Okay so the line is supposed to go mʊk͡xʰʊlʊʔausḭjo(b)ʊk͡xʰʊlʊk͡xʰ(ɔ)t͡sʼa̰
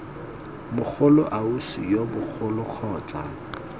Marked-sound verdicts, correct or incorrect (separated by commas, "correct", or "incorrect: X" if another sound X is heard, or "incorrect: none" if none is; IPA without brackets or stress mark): correct, incorrect: ɔː